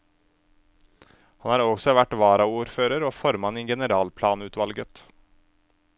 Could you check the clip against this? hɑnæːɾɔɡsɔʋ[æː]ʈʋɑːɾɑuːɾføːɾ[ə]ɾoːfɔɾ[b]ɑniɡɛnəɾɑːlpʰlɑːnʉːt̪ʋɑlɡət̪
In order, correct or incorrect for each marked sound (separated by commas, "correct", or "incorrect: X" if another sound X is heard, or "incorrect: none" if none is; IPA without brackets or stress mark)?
incorrect: æ, correct, incorrect: m